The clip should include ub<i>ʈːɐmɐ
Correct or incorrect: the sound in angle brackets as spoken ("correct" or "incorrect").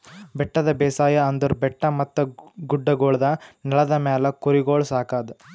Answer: incorrect